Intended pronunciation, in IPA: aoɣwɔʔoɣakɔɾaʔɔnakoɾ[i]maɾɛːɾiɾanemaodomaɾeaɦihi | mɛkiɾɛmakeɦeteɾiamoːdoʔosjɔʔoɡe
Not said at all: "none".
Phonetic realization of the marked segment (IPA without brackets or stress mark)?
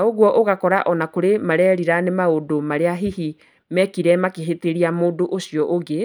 e